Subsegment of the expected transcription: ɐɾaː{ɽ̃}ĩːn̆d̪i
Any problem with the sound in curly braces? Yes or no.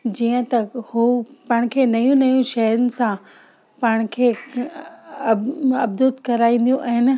yes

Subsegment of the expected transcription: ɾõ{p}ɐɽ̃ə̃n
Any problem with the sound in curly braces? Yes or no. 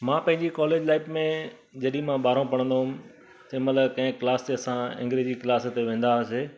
no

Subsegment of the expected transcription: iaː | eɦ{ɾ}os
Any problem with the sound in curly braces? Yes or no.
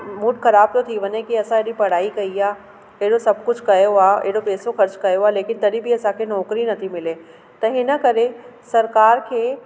yes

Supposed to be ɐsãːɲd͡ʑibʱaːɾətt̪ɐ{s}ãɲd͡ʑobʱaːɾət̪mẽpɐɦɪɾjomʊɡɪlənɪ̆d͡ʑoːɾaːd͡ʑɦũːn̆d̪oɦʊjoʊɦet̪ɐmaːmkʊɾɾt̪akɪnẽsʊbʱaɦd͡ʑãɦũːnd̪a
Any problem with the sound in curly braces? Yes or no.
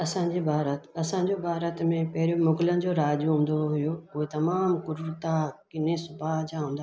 no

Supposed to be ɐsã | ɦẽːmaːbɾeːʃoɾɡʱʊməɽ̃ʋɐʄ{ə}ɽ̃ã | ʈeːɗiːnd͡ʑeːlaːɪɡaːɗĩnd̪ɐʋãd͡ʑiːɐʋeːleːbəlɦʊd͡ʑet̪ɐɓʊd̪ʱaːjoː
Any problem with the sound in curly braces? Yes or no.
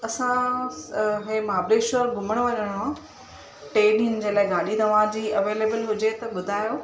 no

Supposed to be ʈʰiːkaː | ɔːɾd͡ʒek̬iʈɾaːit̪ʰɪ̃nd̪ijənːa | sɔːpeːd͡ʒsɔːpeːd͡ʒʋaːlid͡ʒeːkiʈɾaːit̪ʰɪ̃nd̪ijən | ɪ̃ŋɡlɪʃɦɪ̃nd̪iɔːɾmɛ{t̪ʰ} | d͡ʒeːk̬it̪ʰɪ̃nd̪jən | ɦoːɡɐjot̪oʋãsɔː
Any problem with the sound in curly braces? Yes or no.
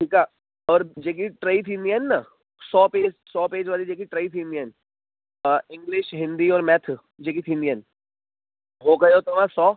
no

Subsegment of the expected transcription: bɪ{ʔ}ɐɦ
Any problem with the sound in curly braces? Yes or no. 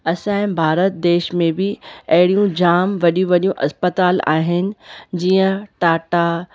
yes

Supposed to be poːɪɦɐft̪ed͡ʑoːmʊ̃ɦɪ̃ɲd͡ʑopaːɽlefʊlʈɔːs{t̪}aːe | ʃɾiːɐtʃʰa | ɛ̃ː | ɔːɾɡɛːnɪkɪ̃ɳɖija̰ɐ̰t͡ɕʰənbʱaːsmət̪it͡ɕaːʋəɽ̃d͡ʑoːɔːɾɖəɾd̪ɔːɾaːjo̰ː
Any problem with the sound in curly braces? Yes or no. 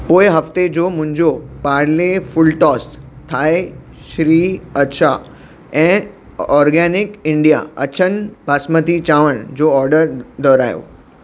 yes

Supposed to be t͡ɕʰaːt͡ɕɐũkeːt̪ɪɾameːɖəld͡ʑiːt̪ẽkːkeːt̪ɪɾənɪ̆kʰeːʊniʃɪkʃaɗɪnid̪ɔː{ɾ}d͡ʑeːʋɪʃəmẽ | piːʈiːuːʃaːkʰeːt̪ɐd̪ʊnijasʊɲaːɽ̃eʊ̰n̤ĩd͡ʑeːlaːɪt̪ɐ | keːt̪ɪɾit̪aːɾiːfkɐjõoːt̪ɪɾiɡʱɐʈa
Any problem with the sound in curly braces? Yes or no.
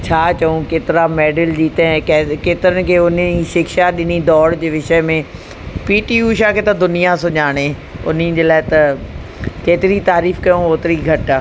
yes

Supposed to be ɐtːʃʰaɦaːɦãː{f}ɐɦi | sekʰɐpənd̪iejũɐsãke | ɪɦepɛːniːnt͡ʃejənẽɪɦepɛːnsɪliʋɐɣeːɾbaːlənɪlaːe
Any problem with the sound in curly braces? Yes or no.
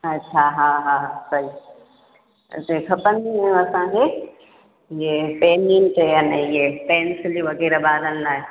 yes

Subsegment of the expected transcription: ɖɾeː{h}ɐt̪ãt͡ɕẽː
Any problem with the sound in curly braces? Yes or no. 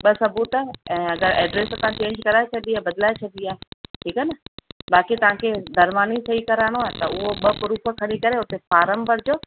yes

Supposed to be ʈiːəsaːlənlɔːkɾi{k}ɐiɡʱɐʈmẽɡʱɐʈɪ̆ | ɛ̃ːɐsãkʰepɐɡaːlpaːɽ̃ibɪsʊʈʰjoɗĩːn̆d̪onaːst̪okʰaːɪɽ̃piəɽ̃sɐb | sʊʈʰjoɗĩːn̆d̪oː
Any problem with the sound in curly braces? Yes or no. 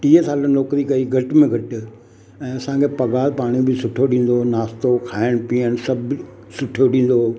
no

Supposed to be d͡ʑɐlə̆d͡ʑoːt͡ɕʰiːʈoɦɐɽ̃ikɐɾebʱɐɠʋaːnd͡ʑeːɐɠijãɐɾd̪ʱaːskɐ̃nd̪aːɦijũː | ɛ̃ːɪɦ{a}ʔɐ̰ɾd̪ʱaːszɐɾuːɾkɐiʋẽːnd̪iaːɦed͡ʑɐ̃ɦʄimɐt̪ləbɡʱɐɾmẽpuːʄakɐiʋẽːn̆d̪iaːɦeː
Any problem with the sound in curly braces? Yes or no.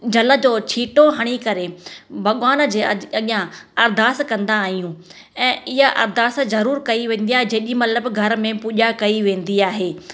no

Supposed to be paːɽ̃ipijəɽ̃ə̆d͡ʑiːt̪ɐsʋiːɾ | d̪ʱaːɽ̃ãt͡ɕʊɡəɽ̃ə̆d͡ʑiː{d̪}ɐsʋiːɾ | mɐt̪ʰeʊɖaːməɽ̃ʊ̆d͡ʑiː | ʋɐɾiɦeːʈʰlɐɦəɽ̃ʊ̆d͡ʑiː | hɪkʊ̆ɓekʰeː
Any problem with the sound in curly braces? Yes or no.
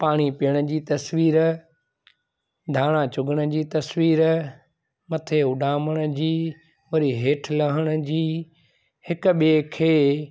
yes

